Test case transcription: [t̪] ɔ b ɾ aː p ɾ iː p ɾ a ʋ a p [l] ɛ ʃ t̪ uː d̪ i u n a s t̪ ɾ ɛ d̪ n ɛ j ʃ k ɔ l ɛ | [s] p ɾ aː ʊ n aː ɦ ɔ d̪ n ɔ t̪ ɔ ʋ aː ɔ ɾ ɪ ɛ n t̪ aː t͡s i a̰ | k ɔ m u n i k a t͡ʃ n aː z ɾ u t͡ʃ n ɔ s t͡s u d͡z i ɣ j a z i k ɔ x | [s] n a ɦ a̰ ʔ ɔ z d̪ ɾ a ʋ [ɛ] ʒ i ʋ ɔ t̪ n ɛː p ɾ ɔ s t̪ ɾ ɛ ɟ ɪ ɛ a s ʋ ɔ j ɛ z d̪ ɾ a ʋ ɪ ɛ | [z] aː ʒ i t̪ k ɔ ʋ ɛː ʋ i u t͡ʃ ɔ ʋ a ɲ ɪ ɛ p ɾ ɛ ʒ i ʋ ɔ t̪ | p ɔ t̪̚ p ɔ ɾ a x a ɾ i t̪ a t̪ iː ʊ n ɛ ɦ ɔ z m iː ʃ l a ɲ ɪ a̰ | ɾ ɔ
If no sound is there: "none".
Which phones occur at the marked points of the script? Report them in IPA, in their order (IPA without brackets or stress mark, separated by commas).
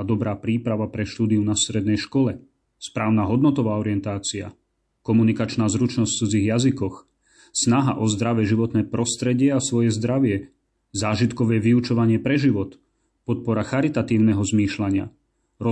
d̪, ɾ, s, s, ɛ, z